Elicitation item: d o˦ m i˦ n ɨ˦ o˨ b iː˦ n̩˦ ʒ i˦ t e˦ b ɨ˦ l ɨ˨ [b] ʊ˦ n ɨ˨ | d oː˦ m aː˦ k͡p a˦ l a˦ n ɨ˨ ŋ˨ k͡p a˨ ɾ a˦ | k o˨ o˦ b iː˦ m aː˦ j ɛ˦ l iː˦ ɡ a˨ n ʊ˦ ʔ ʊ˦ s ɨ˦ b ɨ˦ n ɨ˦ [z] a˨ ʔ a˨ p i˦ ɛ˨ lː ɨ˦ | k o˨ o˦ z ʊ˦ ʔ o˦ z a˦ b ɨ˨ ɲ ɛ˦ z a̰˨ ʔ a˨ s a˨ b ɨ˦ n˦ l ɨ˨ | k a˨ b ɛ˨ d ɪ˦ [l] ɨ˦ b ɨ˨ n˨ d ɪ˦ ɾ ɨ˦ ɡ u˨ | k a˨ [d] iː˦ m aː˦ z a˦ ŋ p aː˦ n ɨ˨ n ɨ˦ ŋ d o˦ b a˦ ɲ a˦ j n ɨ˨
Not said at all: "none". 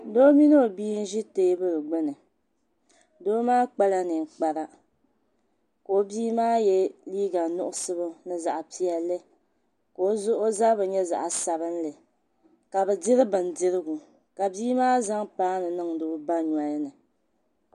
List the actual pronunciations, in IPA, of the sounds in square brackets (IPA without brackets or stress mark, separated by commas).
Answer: ɡ͡b, z, ɾ, b